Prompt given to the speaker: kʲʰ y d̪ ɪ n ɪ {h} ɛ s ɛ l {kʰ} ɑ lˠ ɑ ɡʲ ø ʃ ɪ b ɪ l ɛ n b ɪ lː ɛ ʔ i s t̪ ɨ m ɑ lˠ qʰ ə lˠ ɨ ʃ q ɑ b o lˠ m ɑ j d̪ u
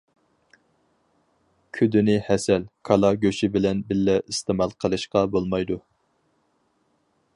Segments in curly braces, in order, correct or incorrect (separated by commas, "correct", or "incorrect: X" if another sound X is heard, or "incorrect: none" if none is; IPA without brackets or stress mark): correct, correct